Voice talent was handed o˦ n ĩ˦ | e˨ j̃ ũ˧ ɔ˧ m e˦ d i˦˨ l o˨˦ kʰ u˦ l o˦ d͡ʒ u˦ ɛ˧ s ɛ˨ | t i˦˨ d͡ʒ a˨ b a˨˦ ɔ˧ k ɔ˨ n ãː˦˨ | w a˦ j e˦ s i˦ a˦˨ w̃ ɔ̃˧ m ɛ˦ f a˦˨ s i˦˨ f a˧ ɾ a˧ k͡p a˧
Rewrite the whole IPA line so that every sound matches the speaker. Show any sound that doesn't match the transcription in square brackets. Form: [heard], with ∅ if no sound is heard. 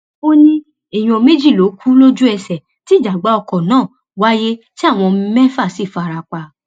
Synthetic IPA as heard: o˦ n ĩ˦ | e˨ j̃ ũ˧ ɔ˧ m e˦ [d͡ʒ] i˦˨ l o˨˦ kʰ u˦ l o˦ d͡ʒ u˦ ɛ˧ s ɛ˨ | t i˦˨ d͡ʒ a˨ [ɡ͡b] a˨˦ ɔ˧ k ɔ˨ n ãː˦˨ | w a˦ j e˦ [t] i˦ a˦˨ w̃ ɔ̃˧ m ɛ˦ f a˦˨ s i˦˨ f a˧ ɾ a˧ k͡p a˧